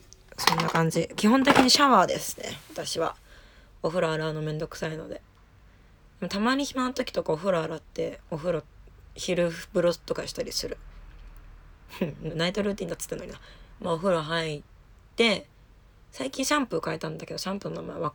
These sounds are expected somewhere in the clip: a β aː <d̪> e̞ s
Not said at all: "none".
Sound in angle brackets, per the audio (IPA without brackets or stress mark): d̪